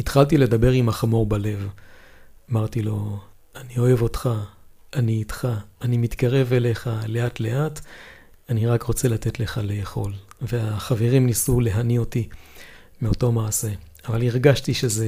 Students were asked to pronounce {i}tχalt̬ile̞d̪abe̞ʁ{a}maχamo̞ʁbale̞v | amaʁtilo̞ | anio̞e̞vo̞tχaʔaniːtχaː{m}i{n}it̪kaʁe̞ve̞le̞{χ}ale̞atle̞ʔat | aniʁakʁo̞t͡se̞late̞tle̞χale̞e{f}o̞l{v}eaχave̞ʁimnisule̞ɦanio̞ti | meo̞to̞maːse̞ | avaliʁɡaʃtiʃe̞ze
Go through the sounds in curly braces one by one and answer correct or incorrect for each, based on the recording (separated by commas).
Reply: correct, incorrect, incorrect, incorrect, correct, incorrect, correct